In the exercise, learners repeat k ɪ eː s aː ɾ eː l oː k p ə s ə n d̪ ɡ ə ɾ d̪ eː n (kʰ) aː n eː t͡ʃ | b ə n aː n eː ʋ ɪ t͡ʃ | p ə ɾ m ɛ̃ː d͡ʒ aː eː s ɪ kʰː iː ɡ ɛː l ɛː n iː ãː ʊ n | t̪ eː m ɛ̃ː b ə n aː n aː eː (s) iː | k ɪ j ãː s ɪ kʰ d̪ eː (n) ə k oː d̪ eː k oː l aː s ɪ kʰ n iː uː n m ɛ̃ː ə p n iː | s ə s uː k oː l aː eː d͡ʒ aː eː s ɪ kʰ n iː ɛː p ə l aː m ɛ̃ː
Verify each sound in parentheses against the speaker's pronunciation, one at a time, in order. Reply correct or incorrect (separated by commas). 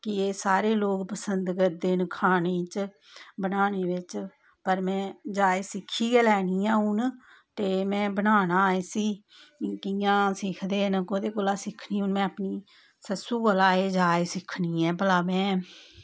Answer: correct, correct, correct